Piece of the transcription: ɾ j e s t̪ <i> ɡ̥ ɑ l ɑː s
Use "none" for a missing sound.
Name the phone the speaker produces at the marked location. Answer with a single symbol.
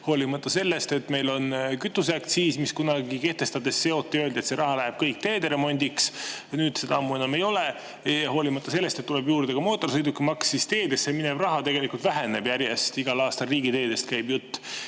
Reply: i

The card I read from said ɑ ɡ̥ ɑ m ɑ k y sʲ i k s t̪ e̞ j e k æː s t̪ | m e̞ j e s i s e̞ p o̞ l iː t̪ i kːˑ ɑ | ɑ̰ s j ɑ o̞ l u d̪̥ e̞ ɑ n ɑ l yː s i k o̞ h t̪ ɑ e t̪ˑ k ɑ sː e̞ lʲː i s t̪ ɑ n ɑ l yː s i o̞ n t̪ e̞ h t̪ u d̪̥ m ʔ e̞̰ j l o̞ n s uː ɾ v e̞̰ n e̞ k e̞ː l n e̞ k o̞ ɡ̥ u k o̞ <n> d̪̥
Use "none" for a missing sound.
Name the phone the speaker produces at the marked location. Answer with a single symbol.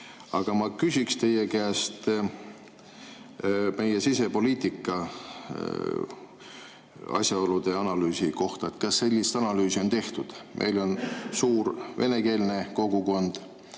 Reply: n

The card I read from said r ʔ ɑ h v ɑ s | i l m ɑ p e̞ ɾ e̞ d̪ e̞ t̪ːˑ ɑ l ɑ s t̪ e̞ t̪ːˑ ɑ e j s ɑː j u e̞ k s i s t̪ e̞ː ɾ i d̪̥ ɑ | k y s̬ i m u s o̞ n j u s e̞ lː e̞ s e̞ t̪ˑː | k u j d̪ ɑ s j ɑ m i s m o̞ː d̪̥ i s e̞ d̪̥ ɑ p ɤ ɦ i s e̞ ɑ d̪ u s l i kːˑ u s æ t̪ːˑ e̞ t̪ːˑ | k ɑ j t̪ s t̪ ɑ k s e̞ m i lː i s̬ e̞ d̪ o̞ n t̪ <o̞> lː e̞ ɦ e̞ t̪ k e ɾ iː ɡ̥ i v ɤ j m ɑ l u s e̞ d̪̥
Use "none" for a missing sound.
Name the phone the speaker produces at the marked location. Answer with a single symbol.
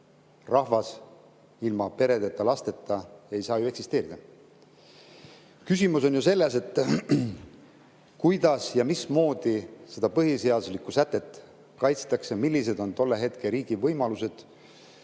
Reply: o̞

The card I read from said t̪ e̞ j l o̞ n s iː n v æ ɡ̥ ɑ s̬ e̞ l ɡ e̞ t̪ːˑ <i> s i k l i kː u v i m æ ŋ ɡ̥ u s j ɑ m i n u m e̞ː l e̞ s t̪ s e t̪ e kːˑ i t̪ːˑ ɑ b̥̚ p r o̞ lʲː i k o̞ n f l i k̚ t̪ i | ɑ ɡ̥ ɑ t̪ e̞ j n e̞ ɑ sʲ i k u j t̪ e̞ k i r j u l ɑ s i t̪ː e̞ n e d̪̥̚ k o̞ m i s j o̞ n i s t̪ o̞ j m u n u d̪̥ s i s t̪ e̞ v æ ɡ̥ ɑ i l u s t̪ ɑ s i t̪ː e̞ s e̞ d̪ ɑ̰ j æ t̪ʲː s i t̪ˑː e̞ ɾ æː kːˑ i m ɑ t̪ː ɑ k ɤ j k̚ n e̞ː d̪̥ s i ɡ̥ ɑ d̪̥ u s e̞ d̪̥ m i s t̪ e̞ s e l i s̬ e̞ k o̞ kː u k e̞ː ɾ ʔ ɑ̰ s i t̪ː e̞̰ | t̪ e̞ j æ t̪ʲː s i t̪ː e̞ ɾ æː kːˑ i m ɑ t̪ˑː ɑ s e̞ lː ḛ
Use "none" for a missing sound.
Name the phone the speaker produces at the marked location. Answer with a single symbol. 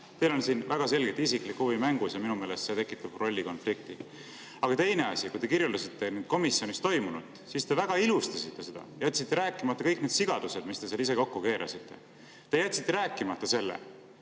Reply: i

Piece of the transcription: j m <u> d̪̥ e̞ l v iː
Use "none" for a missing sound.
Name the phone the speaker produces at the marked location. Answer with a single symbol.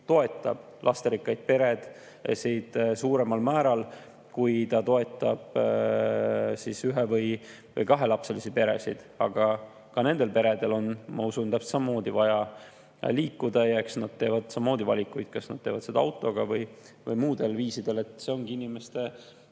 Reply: uː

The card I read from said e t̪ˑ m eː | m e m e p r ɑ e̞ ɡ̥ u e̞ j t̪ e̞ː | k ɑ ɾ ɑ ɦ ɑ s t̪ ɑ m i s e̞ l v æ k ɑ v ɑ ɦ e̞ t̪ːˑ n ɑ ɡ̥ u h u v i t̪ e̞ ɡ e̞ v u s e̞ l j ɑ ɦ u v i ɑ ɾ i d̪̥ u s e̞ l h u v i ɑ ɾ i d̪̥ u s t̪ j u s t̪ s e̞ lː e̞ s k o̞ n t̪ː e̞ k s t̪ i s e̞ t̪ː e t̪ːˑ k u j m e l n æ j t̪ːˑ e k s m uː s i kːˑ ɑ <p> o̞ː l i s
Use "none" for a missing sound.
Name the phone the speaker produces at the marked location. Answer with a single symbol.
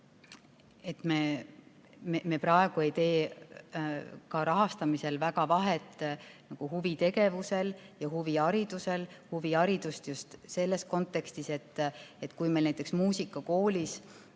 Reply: k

